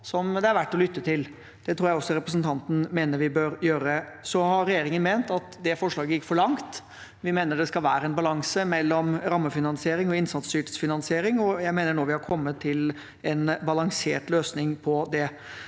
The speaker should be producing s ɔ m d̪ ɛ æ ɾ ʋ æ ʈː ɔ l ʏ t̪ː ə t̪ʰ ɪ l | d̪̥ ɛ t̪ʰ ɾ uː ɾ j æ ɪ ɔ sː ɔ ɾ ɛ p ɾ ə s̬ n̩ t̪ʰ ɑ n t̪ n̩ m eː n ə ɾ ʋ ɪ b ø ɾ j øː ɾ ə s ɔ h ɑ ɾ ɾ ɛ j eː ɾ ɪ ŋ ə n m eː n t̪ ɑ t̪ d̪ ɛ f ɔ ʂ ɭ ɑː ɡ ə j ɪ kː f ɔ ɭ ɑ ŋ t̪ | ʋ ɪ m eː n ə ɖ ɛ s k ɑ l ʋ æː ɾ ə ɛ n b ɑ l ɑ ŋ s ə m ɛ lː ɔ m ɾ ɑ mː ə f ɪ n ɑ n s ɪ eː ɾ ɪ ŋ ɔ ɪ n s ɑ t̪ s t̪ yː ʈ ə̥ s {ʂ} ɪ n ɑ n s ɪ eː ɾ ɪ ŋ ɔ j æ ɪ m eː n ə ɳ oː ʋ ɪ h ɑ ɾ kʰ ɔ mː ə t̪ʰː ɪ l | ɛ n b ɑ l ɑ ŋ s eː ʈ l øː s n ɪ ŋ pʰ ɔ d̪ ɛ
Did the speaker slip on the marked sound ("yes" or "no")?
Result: yes